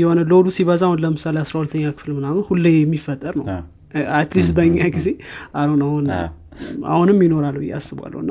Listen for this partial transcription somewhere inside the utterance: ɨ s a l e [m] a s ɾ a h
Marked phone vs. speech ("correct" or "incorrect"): incorrect